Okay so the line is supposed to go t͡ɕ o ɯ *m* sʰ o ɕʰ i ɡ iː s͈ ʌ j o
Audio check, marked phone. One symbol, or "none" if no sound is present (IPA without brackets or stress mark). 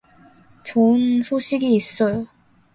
n